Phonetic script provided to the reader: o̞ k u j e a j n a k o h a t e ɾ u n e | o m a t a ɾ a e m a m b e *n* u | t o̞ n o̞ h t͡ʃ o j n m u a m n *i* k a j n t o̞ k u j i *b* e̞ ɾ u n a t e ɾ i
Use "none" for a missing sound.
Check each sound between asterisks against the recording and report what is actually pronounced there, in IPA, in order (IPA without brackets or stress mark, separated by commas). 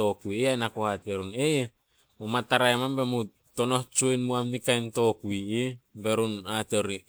m, i, b